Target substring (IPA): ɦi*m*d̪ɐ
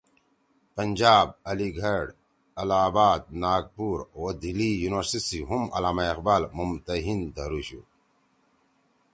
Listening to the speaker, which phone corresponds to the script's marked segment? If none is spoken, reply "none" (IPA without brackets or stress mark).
n